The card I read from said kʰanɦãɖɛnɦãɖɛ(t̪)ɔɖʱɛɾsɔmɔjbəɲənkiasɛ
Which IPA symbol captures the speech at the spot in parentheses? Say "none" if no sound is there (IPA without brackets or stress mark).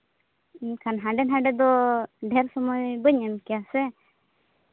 d̪